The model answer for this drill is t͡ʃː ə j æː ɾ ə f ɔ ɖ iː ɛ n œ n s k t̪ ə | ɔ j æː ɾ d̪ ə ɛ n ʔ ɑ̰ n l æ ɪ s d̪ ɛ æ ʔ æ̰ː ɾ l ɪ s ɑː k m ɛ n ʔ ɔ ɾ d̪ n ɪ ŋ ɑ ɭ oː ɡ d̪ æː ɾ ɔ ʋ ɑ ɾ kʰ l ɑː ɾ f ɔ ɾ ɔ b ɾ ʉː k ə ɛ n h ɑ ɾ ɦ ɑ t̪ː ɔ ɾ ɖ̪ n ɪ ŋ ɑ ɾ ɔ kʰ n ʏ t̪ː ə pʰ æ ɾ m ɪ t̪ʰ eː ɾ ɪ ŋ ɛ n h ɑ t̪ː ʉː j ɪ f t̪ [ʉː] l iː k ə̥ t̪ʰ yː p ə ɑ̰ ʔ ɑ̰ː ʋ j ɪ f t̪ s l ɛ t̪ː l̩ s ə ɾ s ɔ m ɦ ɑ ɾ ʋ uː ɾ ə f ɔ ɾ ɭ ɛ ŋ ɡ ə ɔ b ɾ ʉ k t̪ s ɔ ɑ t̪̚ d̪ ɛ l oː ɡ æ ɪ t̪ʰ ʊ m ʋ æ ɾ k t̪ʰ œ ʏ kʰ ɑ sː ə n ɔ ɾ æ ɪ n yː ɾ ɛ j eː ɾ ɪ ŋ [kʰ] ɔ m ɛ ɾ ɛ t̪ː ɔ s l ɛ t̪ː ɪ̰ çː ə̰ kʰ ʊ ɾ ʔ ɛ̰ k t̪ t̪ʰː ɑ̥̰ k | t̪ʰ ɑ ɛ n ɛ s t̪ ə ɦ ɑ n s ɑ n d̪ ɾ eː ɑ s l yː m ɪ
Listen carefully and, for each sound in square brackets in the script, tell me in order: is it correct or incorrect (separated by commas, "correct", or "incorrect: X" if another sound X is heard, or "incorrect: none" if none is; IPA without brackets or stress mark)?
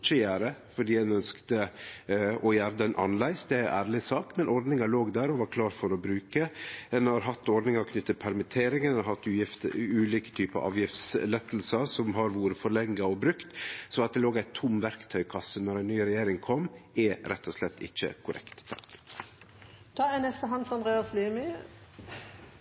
correct, correct